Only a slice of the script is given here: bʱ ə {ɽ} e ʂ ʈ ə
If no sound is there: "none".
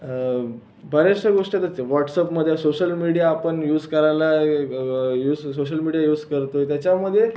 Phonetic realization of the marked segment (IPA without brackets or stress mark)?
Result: ɾ